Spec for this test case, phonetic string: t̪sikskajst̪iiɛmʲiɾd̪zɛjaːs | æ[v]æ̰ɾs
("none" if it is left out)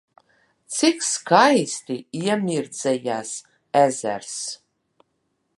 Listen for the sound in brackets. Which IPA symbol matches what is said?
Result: z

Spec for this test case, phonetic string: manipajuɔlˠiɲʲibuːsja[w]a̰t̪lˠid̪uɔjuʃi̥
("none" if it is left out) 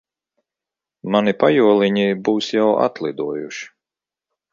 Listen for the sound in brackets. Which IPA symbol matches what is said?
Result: w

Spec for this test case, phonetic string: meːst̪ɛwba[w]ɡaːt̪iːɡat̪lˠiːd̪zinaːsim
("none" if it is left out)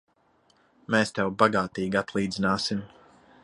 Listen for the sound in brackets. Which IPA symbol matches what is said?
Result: none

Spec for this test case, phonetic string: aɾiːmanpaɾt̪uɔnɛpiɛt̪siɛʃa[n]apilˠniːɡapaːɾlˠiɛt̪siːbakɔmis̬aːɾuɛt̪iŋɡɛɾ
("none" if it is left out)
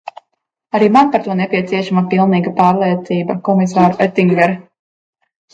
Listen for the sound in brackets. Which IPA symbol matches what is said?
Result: m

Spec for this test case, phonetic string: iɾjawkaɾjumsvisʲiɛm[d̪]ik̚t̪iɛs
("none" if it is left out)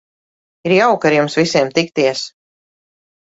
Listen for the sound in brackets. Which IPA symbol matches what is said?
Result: t̪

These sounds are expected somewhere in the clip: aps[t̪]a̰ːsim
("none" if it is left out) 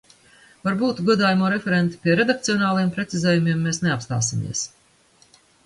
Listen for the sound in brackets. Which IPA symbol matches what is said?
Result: t̪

